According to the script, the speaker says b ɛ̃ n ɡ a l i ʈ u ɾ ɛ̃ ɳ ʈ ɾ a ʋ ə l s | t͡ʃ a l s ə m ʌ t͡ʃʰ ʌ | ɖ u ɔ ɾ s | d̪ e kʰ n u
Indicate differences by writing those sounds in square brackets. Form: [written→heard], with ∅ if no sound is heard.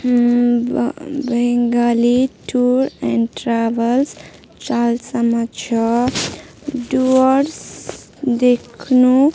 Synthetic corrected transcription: b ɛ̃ [n→ŋ] ɡ a l i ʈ u ɾ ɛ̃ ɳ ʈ ɾ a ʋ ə l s | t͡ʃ a l s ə m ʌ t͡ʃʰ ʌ | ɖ u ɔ ɾ s | d̪ e kʰ n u